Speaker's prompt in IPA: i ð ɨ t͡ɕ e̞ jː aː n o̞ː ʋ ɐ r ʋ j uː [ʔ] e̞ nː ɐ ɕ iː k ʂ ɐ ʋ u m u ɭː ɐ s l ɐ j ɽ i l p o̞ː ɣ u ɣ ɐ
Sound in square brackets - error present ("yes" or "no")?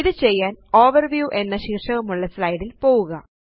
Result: no